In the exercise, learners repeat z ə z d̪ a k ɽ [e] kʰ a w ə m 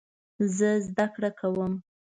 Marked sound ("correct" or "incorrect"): incorrect